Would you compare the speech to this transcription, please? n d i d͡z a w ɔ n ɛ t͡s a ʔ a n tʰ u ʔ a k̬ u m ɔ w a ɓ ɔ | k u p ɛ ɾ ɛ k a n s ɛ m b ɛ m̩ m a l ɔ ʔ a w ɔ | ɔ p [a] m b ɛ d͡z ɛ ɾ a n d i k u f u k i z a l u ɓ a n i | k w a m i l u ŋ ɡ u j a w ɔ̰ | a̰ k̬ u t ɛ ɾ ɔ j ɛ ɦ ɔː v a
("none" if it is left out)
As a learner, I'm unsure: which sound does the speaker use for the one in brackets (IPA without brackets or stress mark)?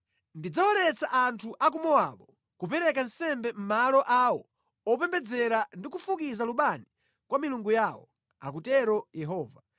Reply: ɛ